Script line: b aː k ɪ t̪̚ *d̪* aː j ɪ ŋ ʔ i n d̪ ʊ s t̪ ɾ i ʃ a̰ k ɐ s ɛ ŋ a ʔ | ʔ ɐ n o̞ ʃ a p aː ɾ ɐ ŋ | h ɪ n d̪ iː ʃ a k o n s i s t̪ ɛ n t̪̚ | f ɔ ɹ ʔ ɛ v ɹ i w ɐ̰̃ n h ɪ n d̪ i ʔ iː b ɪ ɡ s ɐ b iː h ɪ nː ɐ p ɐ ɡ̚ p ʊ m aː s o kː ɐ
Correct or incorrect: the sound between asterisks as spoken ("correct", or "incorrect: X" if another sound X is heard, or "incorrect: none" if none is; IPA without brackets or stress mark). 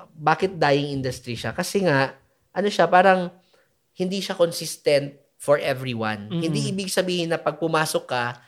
correct